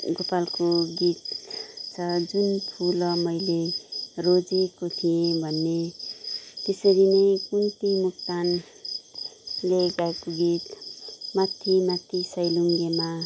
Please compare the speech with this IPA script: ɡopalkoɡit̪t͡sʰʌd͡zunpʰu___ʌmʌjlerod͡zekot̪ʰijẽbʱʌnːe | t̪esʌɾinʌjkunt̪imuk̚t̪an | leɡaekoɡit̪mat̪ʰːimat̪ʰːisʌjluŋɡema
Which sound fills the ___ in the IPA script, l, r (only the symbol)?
l